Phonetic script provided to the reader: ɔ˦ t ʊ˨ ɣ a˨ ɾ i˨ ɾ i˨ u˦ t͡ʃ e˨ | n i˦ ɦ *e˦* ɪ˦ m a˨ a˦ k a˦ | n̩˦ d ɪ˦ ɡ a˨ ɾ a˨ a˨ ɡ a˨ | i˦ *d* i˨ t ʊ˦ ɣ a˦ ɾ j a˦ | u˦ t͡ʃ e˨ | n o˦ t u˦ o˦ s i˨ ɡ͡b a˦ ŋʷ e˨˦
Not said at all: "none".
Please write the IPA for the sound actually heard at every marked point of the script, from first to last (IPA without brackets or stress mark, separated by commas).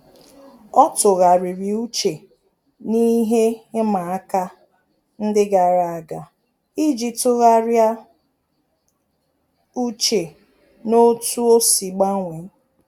e˦, d͡ʒ